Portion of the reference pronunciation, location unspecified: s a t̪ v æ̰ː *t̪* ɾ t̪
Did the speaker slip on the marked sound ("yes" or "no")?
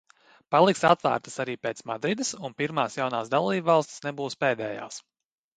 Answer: yes